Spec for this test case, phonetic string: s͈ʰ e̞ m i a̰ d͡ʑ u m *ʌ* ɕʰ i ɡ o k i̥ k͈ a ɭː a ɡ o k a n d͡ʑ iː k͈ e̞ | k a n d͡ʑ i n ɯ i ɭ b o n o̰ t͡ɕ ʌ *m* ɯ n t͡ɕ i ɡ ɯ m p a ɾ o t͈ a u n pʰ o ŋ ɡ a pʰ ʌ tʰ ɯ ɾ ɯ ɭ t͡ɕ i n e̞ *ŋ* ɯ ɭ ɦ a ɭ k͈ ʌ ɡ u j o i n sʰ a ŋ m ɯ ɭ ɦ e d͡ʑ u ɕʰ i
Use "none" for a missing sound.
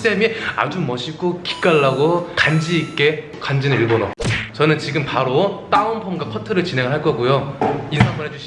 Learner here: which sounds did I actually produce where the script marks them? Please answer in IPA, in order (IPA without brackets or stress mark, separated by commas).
ʌ, n, ŋ